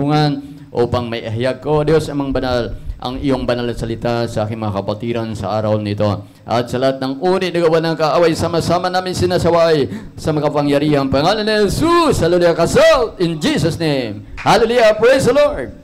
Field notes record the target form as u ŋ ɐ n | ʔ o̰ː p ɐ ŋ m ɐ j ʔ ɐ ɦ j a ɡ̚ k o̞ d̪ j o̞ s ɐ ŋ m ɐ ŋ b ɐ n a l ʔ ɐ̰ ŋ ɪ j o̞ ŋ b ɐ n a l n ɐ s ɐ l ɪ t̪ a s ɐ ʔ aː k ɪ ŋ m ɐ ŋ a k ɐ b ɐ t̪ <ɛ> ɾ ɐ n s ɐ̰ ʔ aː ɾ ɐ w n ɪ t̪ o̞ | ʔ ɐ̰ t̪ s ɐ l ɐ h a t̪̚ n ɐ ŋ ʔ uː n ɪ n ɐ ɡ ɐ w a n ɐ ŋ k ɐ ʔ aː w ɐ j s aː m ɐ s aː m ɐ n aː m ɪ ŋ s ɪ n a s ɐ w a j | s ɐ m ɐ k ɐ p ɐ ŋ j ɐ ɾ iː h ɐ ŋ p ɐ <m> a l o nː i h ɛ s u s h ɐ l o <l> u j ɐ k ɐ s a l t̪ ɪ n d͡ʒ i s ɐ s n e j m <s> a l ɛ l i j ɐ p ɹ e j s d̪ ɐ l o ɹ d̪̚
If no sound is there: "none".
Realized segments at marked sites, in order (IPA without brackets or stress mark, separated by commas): i, ŋ, l, h